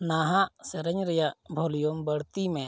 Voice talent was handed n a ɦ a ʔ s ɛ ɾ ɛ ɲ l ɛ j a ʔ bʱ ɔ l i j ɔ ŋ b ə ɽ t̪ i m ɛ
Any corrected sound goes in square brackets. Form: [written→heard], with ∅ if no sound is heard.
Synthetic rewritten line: n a ɦ a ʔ s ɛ ɾ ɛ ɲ [l→ɾ] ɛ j a ʔ bʱ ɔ l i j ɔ [ŋ→m] b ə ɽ t̪ i m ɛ